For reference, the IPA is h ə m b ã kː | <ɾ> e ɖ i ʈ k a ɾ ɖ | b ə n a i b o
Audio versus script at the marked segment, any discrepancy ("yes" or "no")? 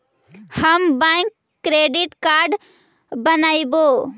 no